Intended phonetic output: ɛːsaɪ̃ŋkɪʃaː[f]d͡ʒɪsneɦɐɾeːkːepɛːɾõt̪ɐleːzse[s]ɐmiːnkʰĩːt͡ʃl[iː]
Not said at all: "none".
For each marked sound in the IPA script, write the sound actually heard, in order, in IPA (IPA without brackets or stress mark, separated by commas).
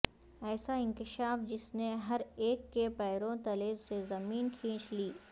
f, z, iː